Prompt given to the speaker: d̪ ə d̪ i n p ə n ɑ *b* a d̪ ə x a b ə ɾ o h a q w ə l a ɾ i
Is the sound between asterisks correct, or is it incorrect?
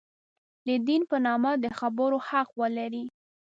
incorrect